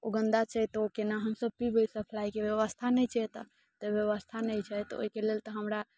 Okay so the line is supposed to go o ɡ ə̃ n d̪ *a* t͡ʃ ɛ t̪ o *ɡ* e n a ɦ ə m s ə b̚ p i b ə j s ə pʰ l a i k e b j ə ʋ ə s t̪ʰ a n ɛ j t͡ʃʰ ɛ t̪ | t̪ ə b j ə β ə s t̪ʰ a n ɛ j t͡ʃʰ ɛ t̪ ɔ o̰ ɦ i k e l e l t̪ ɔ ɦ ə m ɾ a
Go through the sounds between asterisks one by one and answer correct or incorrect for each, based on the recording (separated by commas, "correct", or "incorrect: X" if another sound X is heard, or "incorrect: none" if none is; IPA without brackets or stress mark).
correct, incorrect: k